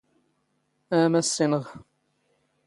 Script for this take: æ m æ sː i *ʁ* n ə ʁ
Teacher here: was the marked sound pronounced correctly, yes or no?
no